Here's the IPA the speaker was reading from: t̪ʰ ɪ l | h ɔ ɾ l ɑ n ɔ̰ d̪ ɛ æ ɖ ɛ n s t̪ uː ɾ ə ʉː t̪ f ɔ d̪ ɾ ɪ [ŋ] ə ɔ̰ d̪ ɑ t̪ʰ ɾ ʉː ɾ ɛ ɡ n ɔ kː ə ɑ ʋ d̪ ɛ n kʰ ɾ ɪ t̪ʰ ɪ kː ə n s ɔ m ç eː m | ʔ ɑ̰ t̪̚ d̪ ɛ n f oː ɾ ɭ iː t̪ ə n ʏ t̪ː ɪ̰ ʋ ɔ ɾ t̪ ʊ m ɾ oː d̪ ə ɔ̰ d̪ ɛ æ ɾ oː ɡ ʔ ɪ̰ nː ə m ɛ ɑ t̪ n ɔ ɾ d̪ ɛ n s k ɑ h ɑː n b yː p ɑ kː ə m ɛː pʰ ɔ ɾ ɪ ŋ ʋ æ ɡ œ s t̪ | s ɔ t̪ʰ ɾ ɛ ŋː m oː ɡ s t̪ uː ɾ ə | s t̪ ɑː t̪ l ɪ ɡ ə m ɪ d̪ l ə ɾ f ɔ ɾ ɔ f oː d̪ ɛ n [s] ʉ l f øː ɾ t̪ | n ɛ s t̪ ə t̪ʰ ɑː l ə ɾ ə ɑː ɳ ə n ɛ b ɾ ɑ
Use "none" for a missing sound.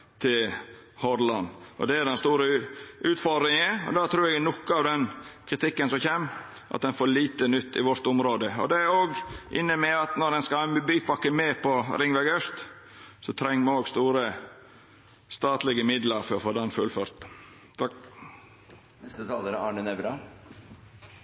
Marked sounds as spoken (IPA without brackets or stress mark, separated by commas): ŋ, f